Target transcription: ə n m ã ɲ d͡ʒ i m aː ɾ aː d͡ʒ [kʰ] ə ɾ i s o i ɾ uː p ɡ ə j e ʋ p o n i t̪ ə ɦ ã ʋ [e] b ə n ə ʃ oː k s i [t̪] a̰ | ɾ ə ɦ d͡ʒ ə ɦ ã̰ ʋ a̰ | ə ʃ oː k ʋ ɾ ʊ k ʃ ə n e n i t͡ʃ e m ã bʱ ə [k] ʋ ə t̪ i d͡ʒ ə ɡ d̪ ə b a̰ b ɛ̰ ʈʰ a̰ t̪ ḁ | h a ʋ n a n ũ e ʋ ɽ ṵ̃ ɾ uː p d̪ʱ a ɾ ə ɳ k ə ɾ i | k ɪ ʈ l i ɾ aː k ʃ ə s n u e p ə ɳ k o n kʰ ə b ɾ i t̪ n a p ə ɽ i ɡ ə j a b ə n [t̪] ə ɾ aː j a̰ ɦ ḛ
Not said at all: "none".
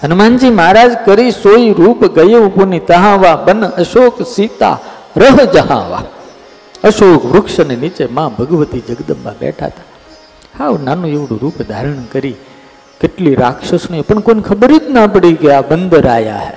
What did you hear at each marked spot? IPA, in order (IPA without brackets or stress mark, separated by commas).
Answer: k, a, t̪, ɡ, d̪